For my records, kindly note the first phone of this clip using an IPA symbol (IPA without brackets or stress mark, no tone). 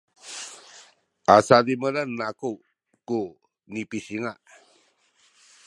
a